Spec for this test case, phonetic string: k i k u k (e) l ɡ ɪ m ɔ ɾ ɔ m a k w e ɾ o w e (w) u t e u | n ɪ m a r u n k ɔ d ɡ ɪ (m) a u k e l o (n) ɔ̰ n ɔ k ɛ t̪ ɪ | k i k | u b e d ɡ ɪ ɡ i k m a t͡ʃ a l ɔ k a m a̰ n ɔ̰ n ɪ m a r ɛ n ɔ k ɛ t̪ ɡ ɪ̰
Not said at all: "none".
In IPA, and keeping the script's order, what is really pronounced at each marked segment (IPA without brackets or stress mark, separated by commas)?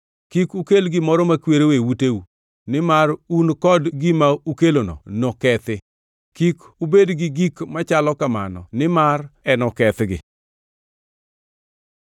e, w, m, n